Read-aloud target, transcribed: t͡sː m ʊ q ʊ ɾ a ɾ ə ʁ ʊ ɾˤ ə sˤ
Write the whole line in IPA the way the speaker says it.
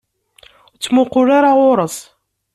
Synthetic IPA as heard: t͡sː m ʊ q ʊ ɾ a ɾ a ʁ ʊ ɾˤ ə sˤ